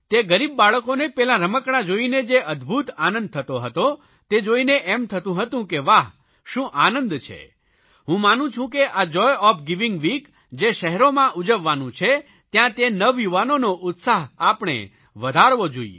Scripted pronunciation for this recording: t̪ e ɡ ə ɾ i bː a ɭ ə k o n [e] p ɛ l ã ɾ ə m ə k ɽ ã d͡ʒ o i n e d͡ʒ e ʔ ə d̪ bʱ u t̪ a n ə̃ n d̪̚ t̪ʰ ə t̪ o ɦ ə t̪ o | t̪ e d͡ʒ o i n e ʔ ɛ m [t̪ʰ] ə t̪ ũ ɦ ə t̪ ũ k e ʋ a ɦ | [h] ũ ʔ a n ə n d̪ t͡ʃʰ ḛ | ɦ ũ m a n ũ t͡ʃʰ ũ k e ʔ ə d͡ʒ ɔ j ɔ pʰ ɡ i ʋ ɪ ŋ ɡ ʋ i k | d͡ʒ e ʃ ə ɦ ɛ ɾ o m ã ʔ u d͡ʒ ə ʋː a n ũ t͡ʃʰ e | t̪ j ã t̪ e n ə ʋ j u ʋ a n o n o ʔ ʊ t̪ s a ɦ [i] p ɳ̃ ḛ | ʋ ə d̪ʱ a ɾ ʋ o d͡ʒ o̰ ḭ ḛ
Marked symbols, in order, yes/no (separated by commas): yes, yes, no, no